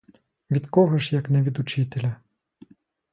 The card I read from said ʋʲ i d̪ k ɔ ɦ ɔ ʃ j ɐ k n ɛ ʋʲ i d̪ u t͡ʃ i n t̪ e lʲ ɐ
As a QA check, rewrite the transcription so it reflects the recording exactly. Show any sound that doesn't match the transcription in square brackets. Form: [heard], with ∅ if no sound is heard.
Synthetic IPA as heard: ʋʲ i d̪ k ɔ ɦ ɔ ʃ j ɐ k n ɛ ʋʲ i d̪ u t͡ʃ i [∅] t̪ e lʲ ɐ